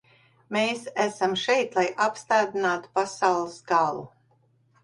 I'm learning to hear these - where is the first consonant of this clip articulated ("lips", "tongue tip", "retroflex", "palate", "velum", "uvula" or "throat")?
lips